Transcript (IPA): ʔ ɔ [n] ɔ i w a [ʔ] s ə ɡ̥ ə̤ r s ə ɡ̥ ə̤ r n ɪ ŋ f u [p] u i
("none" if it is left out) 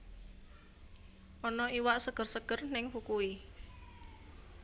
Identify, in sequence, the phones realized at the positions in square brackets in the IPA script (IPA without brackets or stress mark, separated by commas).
n, ʔ, k